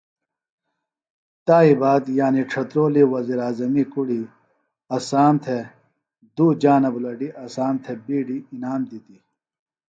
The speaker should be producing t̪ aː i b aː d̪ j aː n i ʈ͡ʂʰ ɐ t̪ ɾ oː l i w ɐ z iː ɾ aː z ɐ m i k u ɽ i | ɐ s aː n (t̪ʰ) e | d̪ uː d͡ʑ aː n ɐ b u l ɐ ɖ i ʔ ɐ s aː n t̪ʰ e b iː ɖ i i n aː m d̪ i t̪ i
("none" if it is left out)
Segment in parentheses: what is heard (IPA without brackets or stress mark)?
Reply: t̪ʰ